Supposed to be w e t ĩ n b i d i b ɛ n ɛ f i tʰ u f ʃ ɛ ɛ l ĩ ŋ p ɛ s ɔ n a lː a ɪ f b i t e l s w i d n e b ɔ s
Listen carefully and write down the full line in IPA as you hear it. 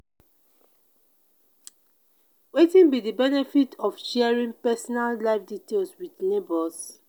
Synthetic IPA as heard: w e t ĩ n b i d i b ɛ n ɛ f i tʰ ɔ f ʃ ɛ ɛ ɹ ĩ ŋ p ɛ s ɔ n a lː a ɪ f d i t e l s w i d n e b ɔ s